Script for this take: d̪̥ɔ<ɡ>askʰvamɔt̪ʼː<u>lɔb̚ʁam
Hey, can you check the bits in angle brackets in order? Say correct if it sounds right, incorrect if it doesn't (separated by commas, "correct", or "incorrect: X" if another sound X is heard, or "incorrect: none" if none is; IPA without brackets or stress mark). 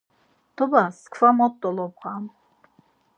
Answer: incorrect: b, incorrect: ɔ